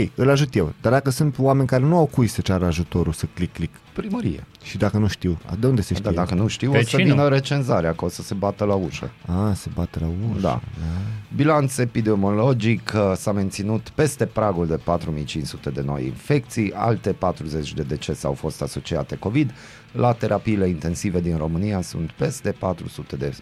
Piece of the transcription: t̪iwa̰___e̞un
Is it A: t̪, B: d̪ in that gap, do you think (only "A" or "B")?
B